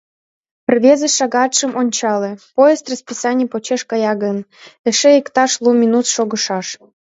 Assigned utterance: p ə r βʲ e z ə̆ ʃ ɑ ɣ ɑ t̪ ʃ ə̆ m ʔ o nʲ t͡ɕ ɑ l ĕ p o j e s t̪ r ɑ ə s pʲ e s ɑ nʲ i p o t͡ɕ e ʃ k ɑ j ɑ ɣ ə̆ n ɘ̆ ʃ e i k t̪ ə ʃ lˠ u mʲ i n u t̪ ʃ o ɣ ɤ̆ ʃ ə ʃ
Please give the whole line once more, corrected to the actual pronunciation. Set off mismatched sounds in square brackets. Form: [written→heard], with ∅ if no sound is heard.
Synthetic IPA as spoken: p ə r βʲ e z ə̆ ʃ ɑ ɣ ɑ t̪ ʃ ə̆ m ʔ o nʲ t͡ɕ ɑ l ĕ p o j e s t̪ r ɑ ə s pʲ [e→i] s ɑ nʲ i p o t͡ɕ e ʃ k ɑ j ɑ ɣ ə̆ n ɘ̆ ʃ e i k t̪ [ə→ɑ] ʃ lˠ u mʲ i n u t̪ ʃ o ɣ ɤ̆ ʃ [ə→ɑ] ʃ